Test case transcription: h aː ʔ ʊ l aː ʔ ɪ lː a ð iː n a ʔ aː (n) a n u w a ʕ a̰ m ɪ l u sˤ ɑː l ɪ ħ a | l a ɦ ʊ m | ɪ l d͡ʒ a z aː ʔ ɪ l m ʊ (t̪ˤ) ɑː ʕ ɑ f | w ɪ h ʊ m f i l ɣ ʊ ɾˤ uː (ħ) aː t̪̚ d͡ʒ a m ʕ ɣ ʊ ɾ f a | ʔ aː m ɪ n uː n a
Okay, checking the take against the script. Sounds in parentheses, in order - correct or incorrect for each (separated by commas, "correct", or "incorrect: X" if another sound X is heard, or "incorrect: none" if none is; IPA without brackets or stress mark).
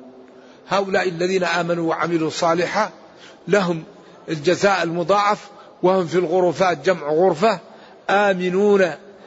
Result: incorrect: m, incorrect: d̪ˤ, incorrect: f